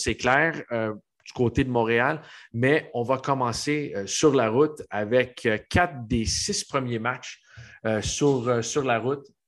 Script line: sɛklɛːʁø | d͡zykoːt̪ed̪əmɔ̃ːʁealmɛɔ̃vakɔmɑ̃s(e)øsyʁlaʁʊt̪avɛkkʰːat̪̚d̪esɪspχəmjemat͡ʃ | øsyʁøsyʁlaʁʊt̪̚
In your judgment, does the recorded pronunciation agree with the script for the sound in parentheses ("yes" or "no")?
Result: yes